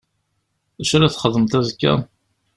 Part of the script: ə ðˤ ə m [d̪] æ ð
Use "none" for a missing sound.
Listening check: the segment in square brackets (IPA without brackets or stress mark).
t̪